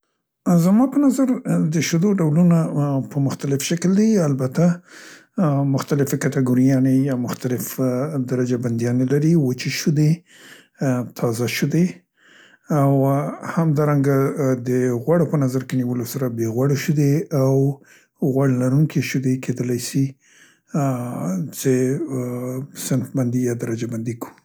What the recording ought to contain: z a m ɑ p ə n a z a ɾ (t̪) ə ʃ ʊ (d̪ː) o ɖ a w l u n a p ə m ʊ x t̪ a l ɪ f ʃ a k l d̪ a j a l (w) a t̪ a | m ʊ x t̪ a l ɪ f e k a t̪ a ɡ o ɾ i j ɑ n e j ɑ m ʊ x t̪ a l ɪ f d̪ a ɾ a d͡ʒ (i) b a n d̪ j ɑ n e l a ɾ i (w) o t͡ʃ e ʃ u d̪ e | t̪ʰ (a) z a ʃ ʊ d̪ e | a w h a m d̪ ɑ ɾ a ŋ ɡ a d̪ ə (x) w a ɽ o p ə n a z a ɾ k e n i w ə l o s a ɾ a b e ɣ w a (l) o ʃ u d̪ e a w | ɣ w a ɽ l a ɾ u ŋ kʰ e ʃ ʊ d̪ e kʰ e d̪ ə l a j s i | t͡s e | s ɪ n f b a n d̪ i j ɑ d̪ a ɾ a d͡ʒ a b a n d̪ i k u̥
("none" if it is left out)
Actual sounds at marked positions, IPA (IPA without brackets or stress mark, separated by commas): d̪, d̪, b, a, w, ɑ, ɣ, ɽ